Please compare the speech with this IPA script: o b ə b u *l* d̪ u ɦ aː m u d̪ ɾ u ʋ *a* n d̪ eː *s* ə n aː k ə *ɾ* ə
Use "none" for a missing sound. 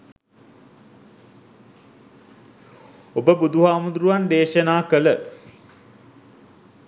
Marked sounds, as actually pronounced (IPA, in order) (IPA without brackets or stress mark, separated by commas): none, a, ʃ, l